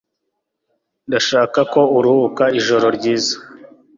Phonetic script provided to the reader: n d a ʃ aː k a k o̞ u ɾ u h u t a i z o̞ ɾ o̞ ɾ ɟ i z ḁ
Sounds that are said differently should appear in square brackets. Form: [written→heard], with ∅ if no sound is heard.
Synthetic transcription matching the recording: n d a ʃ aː k a k o̞ u ɾ u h u [t→k] a i [z→ʒ] o̞ ɾ o̞ ɾ ɟ [i→iː] z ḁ